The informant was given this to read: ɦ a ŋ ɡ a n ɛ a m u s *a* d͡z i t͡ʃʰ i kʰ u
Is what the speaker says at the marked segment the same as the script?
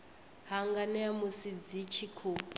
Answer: no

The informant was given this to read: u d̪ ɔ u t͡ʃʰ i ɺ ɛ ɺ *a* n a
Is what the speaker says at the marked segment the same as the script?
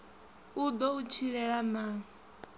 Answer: yes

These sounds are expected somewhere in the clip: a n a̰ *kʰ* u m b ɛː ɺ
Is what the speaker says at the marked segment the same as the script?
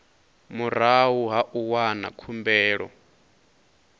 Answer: yes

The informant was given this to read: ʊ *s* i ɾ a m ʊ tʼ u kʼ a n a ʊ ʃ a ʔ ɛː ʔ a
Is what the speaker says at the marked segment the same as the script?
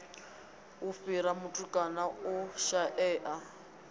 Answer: no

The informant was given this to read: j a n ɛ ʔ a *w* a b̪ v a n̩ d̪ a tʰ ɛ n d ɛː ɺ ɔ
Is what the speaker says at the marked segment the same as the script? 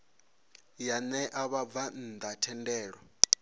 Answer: no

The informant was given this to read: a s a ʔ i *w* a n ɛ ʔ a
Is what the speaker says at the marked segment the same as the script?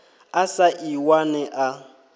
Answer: yes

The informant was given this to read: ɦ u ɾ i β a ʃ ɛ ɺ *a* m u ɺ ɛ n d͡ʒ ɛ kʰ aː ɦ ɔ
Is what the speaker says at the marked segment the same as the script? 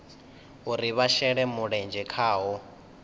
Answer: no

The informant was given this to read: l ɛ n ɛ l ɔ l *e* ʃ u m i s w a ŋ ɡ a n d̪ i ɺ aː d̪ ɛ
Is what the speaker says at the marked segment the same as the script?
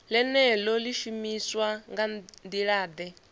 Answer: no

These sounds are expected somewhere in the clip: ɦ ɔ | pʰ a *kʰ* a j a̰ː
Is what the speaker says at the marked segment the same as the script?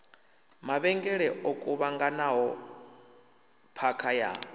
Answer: yes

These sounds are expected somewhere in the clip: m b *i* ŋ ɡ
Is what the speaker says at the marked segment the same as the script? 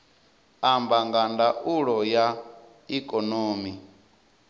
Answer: no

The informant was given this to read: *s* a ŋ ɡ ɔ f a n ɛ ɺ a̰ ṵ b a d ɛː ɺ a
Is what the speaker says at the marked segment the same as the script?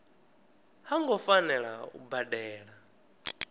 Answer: no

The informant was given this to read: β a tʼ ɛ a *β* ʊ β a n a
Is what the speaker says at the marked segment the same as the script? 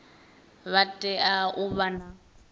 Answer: no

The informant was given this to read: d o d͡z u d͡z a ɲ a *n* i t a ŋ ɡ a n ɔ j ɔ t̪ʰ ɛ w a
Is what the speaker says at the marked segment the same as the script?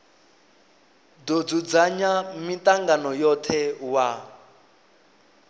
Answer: no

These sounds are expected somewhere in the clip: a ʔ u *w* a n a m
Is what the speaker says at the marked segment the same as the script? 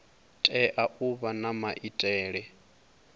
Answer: no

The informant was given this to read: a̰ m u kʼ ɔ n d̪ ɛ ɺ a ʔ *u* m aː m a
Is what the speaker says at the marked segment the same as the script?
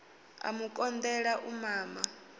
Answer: yes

